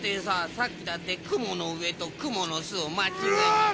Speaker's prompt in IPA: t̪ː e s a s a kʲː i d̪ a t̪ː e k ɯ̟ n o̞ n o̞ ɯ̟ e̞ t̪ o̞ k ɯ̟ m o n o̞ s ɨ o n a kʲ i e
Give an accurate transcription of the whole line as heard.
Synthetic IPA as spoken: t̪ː e s a s a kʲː i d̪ a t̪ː e k ɯ̟ m o̞ n o̞ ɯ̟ e̞ t̪ o̞ k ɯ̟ m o n o̞ s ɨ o m a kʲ i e